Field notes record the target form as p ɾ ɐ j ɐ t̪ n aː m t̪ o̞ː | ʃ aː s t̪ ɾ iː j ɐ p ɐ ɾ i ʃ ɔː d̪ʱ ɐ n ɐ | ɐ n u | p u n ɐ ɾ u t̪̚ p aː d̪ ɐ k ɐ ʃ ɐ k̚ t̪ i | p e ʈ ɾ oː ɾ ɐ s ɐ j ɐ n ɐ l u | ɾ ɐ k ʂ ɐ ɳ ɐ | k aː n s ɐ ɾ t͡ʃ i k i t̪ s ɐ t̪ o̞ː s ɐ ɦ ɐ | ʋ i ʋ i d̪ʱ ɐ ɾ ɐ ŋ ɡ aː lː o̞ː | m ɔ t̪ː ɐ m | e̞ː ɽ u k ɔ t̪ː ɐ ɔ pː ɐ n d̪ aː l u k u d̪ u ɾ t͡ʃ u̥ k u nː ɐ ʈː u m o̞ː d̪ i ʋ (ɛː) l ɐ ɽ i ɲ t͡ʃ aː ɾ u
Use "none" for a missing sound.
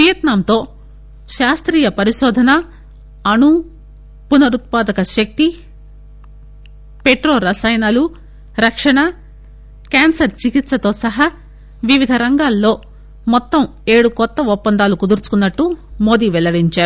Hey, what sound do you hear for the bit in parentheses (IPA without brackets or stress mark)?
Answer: ɛ